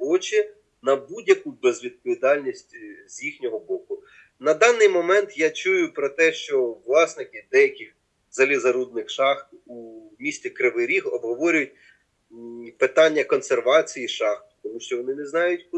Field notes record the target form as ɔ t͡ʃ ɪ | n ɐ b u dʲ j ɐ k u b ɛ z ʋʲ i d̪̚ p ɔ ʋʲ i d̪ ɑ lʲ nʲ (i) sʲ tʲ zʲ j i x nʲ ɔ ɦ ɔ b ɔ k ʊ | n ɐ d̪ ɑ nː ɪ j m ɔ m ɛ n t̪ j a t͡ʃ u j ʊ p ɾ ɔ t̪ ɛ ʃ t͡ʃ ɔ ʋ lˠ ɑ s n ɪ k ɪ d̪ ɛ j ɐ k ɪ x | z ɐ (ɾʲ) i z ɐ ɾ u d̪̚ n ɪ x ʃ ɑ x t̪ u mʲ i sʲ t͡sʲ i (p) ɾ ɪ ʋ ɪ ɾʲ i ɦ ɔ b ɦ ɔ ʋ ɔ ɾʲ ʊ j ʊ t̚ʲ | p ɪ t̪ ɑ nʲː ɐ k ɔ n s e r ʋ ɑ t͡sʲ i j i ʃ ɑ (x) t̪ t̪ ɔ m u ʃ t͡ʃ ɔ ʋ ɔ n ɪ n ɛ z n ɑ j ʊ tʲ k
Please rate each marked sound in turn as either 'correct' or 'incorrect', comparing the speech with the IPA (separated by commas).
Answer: correct, incorrect, incorrect, correct